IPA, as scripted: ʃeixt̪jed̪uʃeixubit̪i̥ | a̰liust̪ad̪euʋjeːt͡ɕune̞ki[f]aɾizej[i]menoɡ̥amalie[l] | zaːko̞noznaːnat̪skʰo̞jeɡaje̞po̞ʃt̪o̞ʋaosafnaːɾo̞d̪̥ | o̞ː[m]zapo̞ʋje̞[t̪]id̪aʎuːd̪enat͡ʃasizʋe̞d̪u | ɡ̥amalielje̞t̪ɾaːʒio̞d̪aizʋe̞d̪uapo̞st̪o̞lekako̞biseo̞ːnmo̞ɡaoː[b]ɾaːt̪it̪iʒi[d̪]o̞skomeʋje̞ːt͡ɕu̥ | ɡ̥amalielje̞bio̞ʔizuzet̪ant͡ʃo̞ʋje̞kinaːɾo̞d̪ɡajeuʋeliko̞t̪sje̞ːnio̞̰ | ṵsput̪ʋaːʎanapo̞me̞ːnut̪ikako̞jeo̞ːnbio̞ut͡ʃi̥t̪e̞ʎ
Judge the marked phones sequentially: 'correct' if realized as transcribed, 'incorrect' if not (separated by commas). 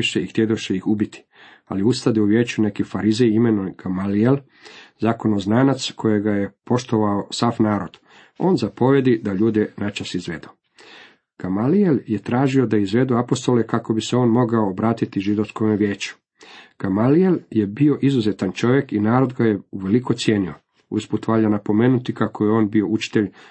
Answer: correct, correct, correct, incorrect, incorrect, correct, correct